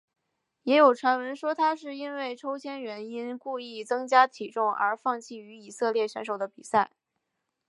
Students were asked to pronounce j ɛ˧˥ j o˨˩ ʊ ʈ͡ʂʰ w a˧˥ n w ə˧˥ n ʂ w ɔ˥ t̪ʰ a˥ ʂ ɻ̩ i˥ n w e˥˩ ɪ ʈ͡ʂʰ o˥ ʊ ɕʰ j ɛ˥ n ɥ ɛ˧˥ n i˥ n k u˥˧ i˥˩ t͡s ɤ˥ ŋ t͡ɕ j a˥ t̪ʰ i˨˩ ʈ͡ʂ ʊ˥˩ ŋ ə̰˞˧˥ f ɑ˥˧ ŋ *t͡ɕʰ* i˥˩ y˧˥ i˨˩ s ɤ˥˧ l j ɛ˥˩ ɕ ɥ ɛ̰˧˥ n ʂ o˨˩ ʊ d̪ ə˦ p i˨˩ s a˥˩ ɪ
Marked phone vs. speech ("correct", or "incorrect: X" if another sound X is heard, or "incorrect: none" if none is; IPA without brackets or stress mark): correct